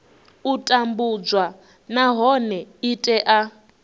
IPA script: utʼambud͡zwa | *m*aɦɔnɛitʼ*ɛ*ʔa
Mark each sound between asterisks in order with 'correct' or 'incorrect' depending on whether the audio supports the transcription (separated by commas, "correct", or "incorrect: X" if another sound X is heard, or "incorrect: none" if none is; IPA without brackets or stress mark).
incorrect: n, correct